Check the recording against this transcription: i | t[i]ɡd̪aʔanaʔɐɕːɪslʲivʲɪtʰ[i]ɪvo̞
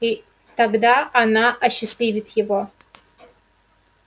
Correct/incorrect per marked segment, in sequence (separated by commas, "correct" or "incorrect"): incorrect, incorrect